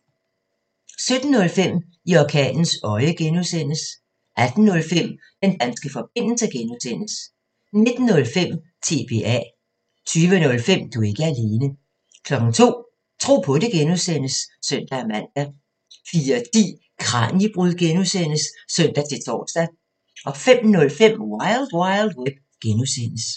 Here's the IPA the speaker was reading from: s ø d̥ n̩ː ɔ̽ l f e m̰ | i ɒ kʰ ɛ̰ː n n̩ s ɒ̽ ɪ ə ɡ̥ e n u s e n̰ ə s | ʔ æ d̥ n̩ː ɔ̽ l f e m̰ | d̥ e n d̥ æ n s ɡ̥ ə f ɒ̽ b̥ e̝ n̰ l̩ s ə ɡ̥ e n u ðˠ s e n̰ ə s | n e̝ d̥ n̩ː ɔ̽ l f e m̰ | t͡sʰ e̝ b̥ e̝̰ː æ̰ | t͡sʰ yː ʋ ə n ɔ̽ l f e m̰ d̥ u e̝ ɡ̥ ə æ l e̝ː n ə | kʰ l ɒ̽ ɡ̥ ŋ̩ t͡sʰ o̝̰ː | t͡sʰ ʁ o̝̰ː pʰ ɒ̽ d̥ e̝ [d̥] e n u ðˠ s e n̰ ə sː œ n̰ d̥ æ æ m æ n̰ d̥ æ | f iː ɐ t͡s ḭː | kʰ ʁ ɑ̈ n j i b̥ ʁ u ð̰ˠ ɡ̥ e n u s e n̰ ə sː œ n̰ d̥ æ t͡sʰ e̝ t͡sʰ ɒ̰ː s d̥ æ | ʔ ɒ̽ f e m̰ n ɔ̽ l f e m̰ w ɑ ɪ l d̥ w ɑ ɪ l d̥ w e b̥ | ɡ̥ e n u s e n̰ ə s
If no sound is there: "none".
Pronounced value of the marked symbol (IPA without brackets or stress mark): ɡ̥